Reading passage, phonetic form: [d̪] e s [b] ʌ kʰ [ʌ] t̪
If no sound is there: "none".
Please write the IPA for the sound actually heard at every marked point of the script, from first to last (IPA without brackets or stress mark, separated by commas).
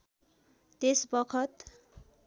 t̪, b, ʌ